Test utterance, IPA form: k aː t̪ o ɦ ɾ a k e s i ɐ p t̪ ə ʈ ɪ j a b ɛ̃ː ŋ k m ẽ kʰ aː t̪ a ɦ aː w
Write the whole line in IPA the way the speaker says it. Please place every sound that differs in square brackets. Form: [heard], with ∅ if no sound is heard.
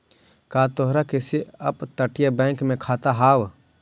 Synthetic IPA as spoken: k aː t̪ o ɦ ɾ a k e s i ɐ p t̪ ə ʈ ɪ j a b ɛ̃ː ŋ k m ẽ kʰ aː t̪ a ɦ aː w